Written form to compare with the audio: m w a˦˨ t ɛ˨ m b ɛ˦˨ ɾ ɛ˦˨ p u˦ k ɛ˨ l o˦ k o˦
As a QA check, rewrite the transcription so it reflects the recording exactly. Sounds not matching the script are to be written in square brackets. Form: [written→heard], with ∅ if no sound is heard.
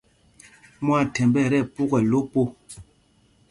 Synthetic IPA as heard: m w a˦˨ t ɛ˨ m b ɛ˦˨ ɾ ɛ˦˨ p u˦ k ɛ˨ l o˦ [k→p] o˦